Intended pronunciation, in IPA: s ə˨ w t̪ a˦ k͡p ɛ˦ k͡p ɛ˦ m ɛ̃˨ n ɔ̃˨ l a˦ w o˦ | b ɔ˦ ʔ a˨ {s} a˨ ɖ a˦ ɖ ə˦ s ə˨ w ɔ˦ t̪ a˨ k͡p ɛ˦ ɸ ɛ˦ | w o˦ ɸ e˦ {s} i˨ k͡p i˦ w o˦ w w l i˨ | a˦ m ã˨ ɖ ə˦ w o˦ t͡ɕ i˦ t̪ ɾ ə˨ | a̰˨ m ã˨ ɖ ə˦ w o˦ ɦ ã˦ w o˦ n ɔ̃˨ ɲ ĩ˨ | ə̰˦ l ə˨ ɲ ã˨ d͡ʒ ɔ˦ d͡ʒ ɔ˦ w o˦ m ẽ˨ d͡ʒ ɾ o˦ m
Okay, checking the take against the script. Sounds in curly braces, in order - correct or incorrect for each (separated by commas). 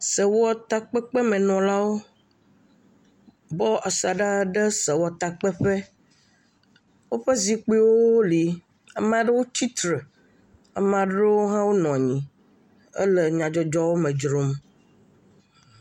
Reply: correct, incorrect